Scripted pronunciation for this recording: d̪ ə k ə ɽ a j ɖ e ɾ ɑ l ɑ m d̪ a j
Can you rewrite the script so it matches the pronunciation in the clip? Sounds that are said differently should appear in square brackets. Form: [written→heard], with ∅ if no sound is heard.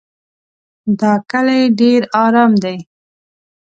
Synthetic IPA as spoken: d̪ [ə→ɑ] k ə [ɽ→l] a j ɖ e ɾ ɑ [l→ɾ] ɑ m d̪ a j